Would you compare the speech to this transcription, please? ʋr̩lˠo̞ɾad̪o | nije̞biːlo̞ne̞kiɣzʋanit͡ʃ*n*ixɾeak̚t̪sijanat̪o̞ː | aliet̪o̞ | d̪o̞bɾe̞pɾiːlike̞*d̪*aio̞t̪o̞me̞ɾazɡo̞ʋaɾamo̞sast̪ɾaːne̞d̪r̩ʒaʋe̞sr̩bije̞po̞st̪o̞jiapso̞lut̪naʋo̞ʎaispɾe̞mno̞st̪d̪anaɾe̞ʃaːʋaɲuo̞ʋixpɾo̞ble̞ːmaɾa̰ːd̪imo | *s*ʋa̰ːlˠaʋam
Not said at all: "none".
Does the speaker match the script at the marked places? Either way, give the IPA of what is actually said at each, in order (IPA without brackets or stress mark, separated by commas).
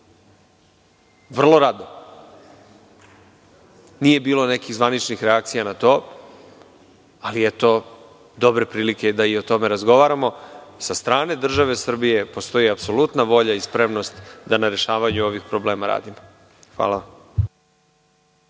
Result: n, d̪, x